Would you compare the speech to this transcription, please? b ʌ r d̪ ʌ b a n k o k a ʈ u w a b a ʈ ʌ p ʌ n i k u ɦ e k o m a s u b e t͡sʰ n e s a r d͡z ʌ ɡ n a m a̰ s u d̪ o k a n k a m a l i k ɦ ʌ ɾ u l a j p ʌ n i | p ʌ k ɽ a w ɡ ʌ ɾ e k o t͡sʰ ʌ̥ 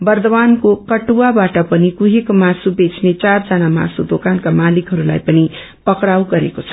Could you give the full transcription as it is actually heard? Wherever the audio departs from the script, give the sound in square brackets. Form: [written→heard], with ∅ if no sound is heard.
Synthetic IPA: b ʌ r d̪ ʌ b a n k o k [a→ʌ] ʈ u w a b a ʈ ʌ p ʌ n i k u ɦ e k o m a s u b e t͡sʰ n e [s→t͡s] a r d͡z ʌ [ɡ→∅] n a m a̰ s u d̪ o k a n k a m a l i k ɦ ʌ ɾ u l a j p ʌ n i | p ʌ k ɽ a w ɡ ʌ ɾ e k o t͡sʰ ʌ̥